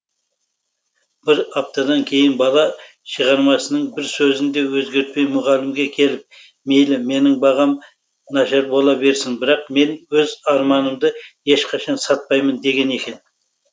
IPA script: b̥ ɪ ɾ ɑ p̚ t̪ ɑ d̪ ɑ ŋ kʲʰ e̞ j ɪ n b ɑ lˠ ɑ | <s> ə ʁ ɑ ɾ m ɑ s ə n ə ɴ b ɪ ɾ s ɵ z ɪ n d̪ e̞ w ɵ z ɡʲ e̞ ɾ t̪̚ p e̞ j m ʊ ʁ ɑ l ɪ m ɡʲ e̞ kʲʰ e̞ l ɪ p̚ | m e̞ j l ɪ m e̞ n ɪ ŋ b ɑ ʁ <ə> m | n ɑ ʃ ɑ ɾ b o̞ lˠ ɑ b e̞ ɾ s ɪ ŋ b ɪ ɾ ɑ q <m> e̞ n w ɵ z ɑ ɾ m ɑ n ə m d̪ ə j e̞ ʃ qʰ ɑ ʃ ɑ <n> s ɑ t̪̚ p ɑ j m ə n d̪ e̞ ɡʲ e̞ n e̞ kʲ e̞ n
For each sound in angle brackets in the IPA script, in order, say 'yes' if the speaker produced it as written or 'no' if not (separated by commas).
no, no, yes, yes